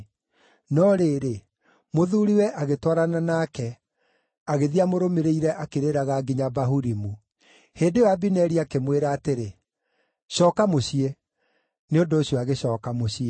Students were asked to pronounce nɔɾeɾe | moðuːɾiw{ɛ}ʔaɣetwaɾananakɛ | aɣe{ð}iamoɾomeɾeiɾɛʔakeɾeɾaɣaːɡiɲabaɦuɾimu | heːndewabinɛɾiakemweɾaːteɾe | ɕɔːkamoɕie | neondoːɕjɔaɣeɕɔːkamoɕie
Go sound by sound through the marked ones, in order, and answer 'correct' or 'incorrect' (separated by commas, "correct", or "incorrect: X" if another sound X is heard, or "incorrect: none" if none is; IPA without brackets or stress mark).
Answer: correct, correct